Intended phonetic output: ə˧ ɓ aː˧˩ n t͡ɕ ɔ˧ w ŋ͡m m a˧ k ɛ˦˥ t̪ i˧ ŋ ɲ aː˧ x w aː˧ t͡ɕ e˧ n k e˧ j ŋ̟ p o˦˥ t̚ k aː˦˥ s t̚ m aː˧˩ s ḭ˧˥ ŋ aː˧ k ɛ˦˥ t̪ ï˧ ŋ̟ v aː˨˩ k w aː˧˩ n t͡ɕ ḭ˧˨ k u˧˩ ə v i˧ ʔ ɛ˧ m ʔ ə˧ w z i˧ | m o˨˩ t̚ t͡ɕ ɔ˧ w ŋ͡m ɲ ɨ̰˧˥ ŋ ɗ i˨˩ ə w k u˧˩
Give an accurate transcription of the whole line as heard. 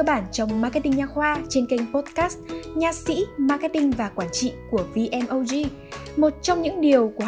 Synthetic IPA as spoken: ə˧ ɓ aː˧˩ n t͡ɕ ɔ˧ w ŋ͡m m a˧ k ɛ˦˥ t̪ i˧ ŋ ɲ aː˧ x w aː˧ t͡ɕ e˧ n k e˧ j ŋ̟ p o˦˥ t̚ k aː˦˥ s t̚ ɲ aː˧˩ s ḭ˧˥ m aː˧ k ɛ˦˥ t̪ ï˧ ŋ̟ v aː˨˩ k w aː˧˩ n t͡ɕ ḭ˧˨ k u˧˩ ə v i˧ ʔ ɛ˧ m ʔ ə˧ w z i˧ | m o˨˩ t̚ t͡ɕ ɔ˧ w ŋ͡m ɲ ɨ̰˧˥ ŋ ɗ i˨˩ ə w k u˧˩